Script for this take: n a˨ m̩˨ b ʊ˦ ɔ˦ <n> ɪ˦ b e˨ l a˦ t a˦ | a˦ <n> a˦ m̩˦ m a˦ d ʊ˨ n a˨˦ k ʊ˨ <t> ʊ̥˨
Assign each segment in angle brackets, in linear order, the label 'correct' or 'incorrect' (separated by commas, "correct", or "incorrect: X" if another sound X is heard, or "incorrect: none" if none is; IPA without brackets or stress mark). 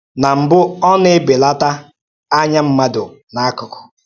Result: correct, incorrect: ɲ, incorrect: k